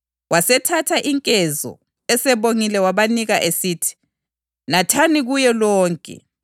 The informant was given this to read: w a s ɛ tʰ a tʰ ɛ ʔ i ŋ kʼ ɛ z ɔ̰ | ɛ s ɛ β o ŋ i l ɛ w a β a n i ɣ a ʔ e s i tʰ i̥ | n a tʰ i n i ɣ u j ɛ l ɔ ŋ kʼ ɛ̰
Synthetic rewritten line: w a s ɛ tʰ a tʰ a ʔ i ŋ kʼ ɛ z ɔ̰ | ɛ s ɛ β o ŋ i l ɛ w a β a n i ɣ a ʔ e s i tʰ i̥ | n a tʰ a n i ɣ u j ɛ l ɔː ŋ kʼ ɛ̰